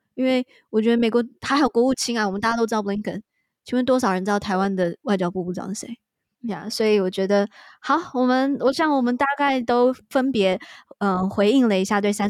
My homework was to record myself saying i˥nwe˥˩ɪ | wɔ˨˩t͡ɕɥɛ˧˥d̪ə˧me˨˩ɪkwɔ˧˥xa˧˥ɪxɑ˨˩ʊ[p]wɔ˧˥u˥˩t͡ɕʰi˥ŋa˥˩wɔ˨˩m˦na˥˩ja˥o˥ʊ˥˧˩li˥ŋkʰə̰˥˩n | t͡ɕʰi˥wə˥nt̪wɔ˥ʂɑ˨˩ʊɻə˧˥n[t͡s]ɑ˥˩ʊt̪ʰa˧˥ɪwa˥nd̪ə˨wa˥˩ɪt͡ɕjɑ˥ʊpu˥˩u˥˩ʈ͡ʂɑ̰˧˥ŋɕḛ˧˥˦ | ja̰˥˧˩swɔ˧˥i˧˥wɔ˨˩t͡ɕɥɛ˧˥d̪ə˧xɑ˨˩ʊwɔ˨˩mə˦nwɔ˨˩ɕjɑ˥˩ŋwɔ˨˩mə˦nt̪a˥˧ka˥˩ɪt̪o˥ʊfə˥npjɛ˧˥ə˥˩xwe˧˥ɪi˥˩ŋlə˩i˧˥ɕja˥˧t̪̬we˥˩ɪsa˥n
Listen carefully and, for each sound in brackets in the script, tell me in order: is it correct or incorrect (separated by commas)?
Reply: incorrect, correct